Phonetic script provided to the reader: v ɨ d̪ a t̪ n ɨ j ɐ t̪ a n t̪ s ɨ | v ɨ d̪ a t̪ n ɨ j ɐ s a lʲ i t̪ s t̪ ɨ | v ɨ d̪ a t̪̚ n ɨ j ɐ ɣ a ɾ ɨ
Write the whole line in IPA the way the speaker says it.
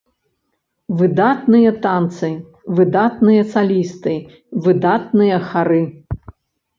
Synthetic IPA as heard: v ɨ d̪ a t̪ n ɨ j ɐ t̪ a n t̪ s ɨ | v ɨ d̪ a t̪ n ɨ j ɐ s a lʲ i s t̪ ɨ | v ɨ d̪ a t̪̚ n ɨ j ɐ x a ɾ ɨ